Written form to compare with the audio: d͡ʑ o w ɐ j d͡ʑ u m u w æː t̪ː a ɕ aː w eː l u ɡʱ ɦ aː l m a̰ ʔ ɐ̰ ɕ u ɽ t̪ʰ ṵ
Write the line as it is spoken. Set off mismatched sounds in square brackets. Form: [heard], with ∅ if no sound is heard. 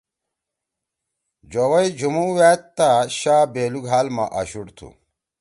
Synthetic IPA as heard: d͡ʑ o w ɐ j d͡ʑ u m u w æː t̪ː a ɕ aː [b] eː l u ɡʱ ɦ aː l m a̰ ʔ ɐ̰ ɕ u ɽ t̪ʰ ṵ